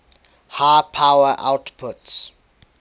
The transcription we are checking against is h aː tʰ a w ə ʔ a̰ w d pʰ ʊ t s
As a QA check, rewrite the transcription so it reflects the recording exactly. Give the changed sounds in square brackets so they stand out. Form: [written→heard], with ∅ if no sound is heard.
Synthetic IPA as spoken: h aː [tʰ→pʰ] a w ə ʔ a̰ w [d→t] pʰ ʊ t s